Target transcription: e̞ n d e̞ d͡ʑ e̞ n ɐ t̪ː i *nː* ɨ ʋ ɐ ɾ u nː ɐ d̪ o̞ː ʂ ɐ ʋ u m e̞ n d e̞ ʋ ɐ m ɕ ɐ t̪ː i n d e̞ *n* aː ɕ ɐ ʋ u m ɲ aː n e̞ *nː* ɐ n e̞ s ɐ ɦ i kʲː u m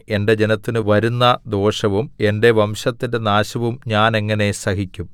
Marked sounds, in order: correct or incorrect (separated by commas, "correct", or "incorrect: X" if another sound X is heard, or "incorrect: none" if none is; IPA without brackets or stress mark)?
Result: incorrect: n, correct, incorrect: ŋː